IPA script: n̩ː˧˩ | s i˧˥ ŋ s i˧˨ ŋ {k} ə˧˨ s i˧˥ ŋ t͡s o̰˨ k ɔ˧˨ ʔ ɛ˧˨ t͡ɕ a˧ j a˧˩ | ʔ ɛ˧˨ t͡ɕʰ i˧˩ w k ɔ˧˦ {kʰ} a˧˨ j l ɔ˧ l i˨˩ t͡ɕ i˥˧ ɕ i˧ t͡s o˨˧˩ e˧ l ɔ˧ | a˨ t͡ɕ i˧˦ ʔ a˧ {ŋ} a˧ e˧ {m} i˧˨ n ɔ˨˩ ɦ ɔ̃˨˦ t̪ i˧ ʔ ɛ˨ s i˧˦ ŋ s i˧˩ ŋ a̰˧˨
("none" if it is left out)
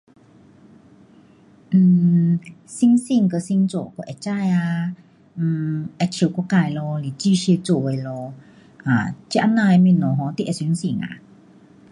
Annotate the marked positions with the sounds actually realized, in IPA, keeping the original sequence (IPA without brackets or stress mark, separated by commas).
k, k, n, m